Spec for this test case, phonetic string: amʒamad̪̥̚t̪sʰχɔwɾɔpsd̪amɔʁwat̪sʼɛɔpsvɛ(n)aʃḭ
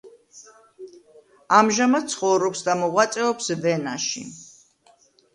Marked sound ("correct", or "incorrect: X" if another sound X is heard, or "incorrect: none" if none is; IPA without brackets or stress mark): correct